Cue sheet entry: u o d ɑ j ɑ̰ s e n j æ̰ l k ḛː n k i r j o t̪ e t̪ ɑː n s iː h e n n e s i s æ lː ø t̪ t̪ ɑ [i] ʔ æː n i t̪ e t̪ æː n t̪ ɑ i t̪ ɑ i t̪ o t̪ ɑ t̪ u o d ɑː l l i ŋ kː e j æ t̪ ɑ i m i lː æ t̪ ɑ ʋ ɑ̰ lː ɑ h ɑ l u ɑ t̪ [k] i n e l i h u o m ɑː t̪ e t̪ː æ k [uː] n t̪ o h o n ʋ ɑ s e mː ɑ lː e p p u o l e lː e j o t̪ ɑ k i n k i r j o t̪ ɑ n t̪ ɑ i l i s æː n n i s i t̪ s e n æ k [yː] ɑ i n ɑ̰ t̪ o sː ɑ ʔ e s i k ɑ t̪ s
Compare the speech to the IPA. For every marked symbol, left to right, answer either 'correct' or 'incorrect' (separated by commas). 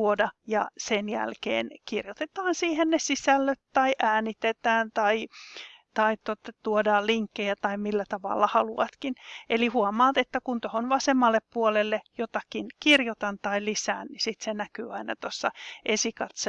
correct, correct, incorrect, correct